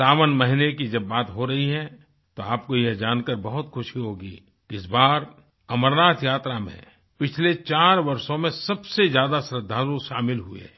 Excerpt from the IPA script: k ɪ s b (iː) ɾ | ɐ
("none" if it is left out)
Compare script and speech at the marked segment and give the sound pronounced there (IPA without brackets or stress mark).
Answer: aː